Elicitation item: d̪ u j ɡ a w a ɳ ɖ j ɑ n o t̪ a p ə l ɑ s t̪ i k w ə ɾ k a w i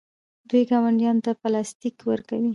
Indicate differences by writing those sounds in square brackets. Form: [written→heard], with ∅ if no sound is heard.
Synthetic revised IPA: d̪ u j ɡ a w a ɳ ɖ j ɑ n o t̪ a p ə l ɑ s t̪ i k w ə ɾ k a w i